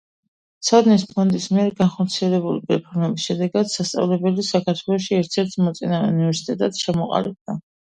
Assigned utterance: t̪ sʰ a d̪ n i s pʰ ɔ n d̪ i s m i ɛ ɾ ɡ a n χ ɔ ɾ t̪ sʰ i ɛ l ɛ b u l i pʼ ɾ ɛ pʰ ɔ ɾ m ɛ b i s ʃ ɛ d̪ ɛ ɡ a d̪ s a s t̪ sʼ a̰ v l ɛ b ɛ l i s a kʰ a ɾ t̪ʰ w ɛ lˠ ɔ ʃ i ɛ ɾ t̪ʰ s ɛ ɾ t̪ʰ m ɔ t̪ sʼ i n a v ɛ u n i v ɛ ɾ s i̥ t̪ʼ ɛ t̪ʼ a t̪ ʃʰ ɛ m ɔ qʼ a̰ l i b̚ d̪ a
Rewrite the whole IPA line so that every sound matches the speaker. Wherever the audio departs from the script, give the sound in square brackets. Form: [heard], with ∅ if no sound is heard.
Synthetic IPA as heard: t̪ sʰ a d̪ n i s pʰ ɔ n d̪ i s m i ɛ ɾ ɡ a n χ ɔ ɾ t̪ sʰ i ɛ l ɛ b u l i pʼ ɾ ɛ pʰ ɔ ɾ m ɛ b i s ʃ ɛ d̪ ɛ ɡ a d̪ s a s t̪ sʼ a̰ v l ɛ b ɛ l i s a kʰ a ɾ t̪ʰ w ɛ lˠ ɔ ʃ i ɛ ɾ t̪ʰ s ɛ ɾ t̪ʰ m ɔ t̪ sʼ i n a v ɛ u n i v ɛ ɾ s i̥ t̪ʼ ɛ t̪ʼ a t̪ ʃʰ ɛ m ɔ qʼ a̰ l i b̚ d̪ a

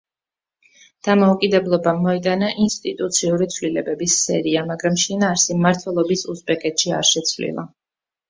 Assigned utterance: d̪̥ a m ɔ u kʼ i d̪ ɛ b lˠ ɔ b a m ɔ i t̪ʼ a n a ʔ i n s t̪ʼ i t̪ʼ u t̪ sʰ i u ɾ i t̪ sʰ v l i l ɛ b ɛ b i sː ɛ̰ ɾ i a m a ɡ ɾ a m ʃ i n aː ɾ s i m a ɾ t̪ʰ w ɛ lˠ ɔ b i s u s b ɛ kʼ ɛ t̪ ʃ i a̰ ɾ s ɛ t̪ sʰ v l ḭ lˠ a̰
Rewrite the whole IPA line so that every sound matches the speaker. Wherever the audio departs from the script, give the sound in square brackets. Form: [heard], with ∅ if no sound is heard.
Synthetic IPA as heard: d̪̥ a m ɔ u kʼ i d̪ ɛ b lˠ ɔ b a m ɔ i t̪ʼ a n a ʔ i n s t̪ʼ i t̪ʼ u t̪ sʰ i u ɾ i t̪ sʰ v l i l ɛ b ɛ b i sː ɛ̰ ɾ i a m a ɡ ɾ a m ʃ i n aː ɾ s i m a ɾ t̪ʰ w ɛ lˠ ɔ b i s u s b ɛ kʼ ɛ t̪ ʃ i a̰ ɾ [ʃ] ɛ t̪ sʰ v l ḭ lˠ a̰

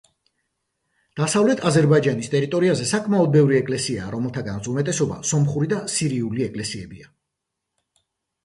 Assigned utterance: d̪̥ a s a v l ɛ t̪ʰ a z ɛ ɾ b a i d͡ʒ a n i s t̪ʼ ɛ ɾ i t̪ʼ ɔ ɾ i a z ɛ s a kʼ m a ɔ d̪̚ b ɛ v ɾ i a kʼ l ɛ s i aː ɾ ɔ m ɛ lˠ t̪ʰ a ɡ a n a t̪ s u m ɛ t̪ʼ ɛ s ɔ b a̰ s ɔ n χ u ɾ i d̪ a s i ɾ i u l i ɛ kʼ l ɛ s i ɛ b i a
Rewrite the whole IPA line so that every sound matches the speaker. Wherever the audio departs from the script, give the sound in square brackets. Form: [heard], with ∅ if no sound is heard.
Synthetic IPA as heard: d̪̥ a s a v l ɛ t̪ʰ a z ɛ ɾ b a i d͡ʒ a n i s t̪ʼ ɛ ɾ i t̪ʼ ɔ ɾ i a z ɛ s a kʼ m a ɔ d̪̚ b ɛ v ɾ i [ɛ] kʼ l ɛ s i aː ɾ ɔ m ɛ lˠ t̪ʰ a ɡ a n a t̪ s u m ɛ t̪ʼ ɛ s ɔ b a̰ s ɔ [m] χ u ɾ i d̪ a s i ɾ i u l i ɛ kʼ l ɛ s i ɛ b i a

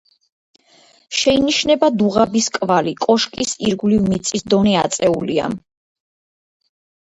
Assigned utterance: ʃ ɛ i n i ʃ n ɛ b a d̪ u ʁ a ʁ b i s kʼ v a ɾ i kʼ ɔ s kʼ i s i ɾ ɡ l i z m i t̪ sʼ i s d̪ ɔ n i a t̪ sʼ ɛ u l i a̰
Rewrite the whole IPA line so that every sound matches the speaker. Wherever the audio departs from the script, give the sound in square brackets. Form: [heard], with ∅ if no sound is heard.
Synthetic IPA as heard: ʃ ɛ i n i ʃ n ɛ b a d̪ u ʁ a [∅] b i s kʼ v a [l] i kʼ ɔ [ʃ] kʼ i s i ɾ ɡ l i [v] m i t̪ sʼ i s d̪ ɔ n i a t̪ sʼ ɛ u l i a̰

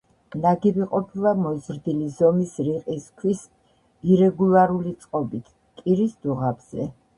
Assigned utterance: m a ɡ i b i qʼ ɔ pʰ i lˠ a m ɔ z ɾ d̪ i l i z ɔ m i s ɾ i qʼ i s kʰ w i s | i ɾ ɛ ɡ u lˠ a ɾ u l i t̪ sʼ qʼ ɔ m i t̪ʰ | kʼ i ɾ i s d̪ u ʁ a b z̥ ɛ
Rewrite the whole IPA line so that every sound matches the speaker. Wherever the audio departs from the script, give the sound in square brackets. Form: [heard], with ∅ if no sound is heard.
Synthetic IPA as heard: [n] a ɡ i b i qʼ ɔ pʰ i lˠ a m ɔ z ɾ d̪ i l i z ɔ m i s ɾ i qʼ i s kʰ w i s | i ɾ ɛ ɡ u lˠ a ɾ u l i t̪ sʼ qʼ ɔ [b] i t̪ʰ | kʼ i ɾ i s d̪ u ʁ a b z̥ ɛ

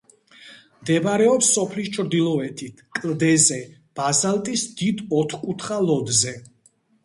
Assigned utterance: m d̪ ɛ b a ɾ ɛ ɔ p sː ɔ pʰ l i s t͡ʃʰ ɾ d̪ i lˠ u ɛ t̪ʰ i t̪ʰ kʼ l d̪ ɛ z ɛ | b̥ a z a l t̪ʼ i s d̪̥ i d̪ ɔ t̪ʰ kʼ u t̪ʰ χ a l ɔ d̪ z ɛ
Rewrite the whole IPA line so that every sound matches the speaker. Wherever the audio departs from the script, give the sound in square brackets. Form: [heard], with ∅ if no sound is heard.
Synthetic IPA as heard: m d̪ ɛ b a ɾ ɛ ɔ p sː ɔ pʰ l i s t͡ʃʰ ɾ d̪ i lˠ [ɔ] ɛ t̪ʰ i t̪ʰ kʼ l d̪ ɛ z ɛ | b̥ a z a l t̪ʼ i s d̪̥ i d̪ ɔ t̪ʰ kʼ u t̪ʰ χ a l ɔ d̪ z ɛ

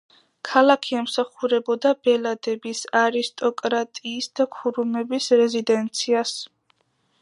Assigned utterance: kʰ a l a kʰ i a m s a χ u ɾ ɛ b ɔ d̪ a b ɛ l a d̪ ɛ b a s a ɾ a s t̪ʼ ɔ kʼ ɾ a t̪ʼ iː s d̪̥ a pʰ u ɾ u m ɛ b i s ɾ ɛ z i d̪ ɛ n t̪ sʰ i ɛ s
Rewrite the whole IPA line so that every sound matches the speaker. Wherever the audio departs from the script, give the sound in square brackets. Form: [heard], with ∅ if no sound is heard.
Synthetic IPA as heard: kʰ a l a kʰ i [ɛ] m s a χ u ɾ ɛ b ɔ d̪ a b ɛ l a d̪ ɛ b [i] s a ɾ [i] s t̪ʼ ɔ kʼ ɾ a t̪ʼ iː s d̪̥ a [kʰ] u ɾ u m ɛ b i s ɾ ɛ z i d̪ ɛ n t̪ sʰ i [a] s

